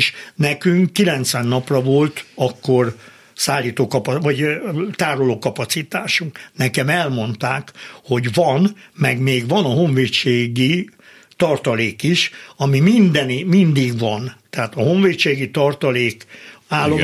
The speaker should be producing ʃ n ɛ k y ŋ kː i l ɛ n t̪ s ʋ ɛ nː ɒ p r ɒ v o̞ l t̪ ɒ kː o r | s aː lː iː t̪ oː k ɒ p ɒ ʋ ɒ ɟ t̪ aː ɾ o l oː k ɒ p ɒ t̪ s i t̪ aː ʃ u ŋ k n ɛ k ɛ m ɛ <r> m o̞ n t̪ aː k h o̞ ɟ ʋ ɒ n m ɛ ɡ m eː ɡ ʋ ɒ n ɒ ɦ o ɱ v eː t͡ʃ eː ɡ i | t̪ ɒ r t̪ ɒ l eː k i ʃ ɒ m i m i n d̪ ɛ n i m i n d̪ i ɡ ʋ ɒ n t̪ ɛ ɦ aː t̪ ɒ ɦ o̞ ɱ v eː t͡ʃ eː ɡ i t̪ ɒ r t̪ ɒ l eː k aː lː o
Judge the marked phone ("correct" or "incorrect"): incorrect